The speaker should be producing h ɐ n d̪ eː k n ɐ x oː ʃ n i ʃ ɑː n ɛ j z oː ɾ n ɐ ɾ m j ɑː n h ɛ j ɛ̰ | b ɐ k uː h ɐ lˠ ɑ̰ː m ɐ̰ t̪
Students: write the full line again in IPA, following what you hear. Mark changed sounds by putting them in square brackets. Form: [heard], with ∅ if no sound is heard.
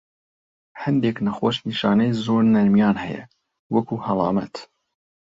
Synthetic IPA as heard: h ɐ n d̪ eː k n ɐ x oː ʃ n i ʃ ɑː n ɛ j z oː ɾ n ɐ ɾ m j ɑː n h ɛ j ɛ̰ | [w] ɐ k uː h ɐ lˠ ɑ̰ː m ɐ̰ t̪